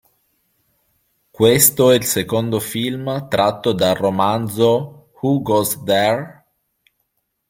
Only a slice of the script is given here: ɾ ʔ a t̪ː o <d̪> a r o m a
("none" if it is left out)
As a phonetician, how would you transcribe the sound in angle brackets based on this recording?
d̪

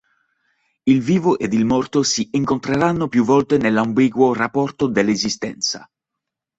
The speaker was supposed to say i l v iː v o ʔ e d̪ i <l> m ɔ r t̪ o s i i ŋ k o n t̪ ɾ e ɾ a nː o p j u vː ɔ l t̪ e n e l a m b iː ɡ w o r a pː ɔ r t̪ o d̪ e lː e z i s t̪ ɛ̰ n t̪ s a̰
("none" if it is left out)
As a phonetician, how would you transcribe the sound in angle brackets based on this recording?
l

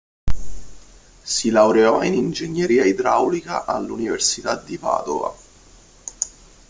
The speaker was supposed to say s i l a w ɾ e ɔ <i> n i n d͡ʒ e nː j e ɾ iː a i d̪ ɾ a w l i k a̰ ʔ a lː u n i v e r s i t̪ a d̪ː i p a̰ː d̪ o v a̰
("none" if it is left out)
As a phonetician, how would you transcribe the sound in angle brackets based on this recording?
i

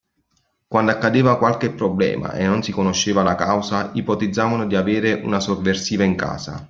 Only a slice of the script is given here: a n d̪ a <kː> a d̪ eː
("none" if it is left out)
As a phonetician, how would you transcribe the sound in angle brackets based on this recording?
kː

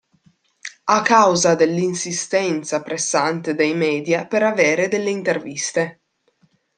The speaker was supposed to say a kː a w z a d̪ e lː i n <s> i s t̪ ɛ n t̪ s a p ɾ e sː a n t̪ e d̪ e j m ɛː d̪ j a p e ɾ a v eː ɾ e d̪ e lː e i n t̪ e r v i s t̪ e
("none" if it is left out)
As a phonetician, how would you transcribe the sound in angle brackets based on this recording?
s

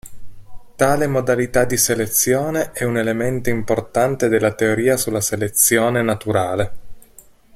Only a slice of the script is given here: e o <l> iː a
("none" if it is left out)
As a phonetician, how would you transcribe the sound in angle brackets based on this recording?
ɾ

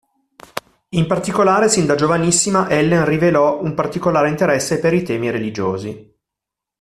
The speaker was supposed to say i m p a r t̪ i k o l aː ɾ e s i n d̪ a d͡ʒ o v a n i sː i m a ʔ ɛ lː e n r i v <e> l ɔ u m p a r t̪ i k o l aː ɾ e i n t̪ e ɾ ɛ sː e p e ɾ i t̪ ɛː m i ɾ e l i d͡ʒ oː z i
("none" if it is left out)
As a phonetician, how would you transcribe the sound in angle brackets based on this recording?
e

